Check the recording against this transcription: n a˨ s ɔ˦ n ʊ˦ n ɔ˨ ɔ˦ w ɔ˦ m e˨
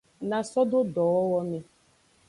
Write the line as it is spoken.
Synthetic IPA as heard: n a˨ s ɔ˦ d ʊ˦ d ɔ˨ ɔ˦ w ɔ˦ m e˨